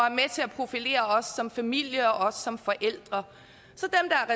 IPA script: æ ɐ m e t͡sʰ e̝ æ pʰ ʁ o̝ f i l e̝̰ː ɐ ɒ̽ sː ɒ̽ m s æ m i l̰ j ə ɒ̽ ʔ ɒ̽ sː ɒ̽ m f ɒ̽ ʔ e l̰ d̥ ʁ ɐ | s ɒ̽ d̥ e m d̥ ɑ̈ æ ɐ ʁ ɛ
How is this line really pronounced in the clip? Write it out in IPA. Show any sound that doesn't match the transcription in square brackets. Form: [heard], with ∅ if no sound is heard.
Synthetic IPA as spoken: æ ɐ m e t͡sʰ e̝ æ pʰ ʁ o̝ f i l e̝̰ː ɐ ɒ̽ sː ɒ̽ m [f] æ m i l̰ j ə ɒ̽ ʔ ɒ̽ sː ɒ̽ m f ɒ̽ ʔ e l̰ d̥ ʁ ɐ | s ɒ̽ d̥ e m d̥ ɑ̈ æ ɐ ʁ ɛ